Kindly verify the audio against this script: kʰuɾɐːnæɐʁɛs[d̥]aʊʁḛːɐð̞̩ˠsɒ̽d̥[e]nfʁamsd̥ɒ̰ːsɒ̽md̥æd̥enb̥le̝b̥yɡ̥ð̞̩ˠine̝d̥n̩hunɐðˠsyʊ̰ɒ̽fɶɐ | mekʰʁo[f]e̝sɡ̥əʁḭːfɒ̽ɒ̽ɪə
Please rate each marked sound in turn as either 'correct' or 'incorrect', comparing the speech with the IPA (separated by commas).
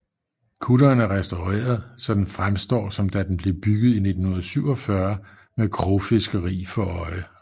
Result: correct, correct, correct